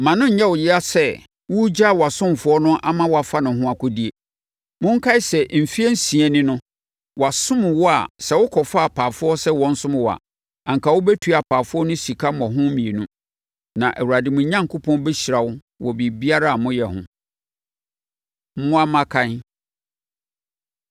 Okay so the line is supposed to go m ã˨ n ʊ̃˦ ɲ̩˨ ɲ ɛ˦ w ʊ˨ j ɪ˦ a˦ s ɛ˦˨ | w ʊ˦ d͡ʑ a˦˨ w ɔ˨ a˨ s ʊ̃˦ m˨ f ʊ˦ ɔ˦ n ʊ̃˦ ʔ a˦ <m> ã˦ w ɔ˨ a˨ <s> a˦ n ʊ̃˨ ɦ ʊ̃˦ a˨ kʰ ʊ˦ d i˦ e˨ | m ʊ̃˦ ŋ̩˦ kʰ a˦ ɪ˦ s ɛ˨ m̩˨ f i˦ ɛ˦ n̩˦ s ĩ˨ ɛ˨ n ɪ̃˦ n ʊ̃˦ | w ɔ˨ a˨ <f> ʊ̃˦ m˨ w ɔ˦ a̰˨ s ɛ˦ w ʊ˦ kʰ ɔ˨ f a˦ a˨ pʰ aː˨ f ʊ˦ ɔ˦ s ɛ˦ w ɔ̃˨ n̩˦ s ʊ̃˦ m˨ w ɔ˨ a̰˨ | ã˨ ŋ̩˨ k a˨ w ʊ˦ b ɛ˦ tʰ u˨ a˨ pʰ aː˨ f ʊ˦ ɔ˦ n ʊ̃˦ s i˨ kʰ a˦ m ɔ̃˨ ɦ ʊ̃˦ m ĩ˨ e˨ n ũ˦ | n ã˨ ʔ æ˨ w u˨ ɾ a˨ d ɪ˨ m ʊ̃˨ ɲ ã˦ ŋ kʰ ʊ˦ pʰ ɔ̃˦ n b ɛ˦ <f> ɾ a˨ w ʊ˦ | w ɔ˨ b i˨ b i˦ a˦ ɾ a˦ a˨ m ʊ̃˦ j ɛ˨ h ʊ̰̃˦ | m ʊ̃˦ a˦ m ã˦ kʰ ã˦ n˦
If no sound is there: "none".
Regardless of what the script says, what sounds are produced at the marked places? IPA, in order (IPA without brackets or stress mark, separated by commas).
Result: m, f, s, ɕ